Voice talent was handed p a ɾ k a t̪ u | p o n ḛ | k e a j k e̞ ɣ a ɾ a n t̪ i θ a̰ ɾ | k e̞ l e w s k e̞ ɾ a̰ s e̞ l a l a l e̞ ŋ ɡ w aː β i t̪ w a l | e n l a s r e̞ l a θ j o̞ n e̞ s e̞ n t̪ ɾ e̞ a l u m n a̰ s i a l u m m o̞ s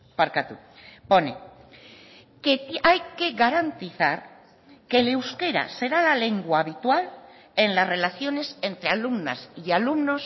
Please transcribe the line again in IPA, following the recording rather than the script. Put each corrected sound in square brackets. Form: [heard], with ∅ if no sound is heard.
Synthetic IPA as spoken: p a ɾ k a t̪ u | p o n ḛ | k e a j k e̞ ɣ a ɾ a n t̪ i θ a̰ ɾ | k e̞ l e w s k e̞ ɾ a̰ s e̞ [ɾ] a l a l e̞ ŋ ɡ w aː β i t̪ w a l | e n l a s r e̞ l a θ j o̞ n e̞ s e̞ n t̪ ɾ e̞ a l u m n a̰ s i a l u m [n] o̞ s

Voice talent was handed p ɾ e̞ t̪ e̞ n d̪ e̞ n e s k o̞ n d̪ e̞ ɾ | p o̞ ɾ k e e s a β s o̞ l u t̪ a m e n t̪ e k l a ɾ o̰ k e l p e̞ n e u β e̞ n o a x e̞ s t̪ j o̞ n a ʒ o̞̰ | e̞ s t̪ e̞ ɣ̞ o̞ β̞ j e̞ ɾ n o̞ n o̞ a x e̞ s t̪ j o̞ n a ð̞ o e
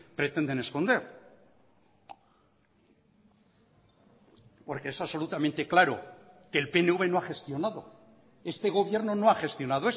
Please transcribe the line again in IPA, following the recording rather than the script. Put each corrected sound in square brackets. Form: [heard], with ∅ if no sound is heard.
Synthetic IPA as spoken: p ɾ e̞ t̪ e̞ n d̪ e̞ n e s k o̞ n d̪ e̞ ɾ | p o̞ ɾ k e e s a β s o̞ l u t̪ a m e n t̪ e k l a ɾ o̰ k e l p e̞ n e u β e̞ n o a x e̞ s t̪ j o̞ n a [ð] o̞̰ | e̞ s t̪ e̞ ɣ̞ o̞ β̞ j e̞ ɾ n o̞ n o̞ a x e̞ s t̪ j o̞ n a ð̞ o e

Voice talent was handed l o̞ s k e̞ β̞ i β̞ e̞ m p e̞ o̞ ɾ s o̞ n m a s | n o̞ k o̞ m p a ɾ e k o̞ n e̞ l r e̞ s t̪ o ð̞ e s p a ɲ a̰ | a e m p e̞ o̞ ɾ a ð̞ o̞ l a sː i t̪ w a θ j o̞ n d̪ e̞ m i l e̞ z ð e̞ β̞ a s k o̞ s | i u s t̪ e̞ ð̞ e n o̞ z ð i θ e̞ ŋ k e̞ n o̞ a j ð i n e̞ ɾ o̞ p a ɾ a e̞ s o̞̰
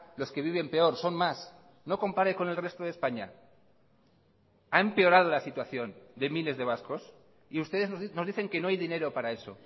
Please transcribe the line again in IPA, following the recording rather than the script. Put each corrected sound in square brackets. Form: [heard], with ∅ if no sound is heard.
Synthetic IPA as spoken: l o̞ s k e̞ β̞ i β̞ e̞ m p e̞ o̞ ɾ s o̞ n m a s | n o̞ k o̞ m p a ɾ e k o̞ n e̞ l r e̞ s t̪ o ð̞ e s p a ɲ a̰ | a e m p e̞ o̞ ɾ a ð̞ o̞ l a [s] i t̪ w a θ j o̞ n d̪ e̞ m i l e̞ z ð e̞ β̞ a s k o̞ s | i u s t̪ e̞ ð̞ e n o̞ z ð i θ e̞ ŋ k e̞ n o̞ a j ð i n e̞ ɾ o̞ p a ɾ a e̞ s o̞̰

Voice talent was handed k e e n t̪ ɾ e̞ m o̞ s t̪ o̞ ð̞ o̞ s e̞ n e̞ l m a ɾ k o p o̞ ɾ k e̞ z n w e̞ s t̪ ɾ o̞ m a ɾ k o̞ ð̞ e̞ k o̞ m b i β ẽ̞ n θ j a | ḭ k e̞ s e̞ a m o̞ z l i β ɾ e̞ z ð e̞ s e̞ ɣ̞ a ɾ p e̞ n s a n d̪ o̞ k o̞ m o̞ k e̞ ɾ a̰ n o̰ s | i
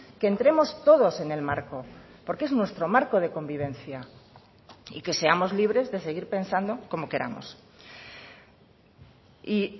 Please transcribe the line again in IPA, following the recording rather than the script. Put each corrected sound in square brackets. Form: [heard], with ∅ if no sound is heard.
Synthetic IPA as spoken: k e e n t̪ ɾ e̞ m o̞ s t̪ o̞ ð̞ o̞ s e̞ n e̞ l m a ɾ k o p o̞ ɾ k e̞ z n w e̞ s t̪ ɾ o̞ m a ɾ k o̞ ð̞ e̞ k o̞ m b i β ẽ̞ n θ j a | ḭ k e̞ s e̞ a m o̞ z l i β ɾ e̞ z ð e̞ s e̞ ɣ̞ [i] ɾ p e̞ n s a n d̪ o̞ k o̞ m o̞ k e̞ ɾ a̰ [m] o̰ s | i

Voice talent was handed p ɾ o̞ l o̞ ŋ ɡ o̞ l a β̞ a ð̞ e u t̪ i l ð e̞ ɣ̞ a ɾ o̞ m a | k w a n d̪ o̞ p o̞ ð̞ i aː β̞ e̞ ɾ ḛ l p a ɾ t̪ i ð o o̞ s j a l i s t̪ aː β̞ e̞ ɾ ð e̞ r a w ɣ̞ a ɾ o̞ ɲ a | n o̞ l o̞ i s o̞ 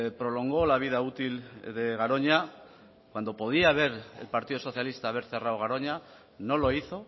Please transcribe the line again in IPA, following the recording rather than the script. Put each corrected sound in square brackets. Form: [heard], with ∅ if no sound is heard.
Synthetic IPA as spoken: p ɾ o̞ l o̞ ŋ ɡ o̞ l a β̞ [i] ð̞ [a] u t̪ i l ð e̞ ɣ̞ a ɾ o̞ [ɲ] a | k w a n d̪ o̞ p o̞ ð̞ i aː β̞ e̞ ɾ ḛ l p a ɾ t̪ i ð o o̞ [θ] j a l i s t̪ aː β̞ e̞ ɾ [θ] e̞ r a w ɣ̞ a ɾ o̞ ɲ a | n o̞ l o̞ i [θ] o̞

